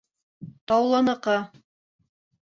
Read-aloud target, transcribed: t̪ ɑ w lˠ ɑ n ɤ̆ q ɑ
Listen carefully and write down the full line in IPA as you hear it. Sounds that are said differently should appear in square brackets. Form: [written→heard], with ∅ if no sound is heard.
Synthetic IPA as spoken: t̪ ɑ w lˠ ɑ n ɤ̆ q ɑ